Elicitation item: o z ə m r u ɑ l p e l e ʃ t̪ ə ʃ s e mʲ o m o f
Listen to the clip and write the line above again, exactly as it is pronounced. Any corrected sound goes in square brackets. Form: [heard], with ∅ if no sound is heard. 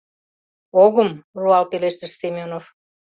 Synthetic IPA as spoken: o [ɣ] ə m r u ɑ l p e l e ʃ t̪ ə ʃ s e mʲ o [n] o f